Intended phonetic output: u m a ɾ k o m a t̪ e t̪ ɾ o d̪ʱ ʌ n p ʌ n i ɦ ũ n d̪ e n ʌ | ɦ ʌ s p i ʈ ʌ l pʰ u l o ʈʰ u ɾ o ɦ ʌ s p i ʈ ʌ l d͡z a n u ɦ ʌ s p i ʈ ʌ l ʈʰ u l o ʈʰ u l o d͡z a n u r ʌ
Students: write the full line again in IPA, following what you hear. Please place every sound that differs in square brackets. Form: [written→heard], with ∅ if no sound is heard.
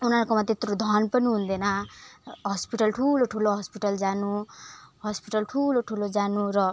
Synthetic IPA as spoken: u [m→n] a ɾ k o m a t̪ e t̪ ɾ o d̪ʱ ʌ n p ʌ n i ɦ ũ n d̪ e n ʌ | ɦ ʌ s p i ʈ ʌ l [pʰ→ʈʰ] u l o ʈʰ u [ɾ→l] o ɦ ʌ s p i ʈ ʌ l d͡z a n u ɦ ʌ s p i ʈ ʌ l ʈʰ u l o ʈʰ u l o d͡z a n u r ʌ